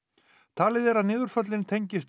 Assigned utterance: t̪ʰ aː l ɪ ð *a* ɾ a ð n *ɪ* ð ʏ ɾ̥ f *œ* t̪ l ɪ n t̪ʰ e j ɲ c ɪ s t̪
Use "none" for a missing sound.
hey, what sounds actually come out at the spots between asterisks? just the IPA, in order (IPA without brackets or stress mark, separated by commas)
ɛ, ɪː, œ